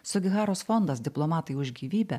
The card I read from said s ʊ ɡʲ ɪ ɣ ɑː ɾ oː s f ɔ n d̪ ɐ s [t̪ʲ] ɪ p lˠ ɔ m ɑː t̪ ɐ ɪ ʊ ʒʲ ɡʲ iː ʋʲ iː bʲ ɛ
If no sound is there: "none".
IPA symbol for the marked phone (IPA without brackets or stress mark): d̪ʲ